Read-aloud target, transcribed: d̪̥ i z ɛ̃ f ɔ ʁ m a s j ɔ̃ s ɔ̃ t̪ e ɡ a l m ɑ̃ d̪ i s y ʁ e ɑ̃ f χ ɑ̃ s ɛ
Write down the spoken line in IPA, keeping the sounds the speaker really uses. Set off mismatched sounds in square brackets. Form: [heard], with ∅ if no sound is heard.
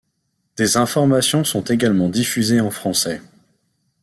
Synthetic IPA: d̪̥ [e] z ɛ̃ f ɔ ʁ m a s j ɔ̃ s ɔ̃ t̪ e ɡ a l m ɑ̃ d̪ i [f] y [z] e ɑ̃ f χ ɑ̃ s ɛ